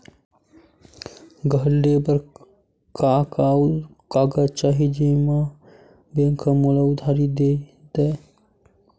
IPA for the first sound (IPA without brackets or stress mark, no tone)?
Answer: ɡ